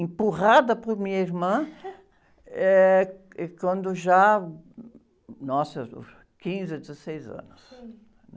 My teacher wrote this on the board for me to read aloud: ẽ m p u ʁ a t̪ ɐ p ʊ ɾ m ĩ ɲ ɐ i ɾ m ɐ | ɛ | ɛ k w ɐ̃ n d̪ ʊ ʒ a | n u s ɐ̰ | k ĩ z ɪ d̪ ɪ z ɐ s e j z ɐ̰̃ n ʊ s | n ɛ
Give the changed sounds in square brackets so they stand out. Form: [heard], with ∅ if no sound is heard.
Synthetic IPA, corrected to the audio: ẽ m p u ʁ a [d̪] ɐ p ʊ ɾ m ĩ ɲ ɐ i ɾ m [ɐ̃] | ɛ | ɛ k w ɐ̃ n d̪ ʊ ʒ a | n [ɔ] s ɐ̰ | k ĩ z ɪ d̪ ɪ z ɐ s e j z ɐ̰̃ n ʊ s | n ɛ